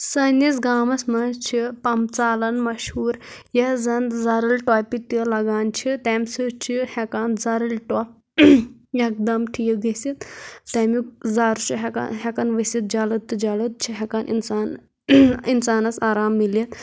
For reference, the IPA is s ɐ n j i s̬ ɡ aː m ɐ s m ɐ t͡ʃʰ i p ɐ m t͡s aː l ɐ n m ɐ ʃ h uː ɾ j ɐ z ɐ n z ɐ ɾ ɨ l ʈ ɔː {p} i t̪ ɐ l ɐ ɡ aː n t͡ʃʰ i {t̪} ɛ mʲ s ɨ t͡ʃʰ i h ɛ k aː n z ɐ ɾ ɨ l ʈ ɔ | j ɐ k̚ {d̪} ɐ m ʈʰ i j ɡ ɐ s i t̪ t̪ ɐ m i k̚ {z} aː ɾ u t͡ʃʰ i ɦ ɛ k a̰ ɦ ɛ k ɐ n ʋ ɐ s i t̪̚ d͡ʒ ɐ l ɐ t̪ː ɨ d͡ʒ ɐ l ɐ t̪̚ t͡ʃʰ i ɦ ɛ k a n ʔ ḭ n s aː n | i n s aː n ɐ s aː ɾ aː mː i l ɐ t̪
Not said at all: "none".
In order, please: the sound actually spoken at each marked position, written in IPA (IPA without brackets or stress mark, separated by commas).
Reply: p, t̪, d̪, z